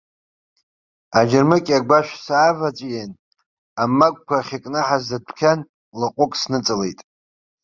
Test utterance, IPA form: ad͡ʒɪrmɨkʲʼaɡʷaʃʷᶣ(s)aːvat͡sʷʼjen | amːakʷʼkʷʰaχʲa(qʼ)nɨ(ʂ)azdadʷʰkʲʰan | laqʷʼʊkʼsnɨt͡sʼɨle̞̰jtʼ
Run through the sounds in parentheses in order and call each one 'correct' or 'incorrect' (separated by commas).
correct, incorrect, incorrect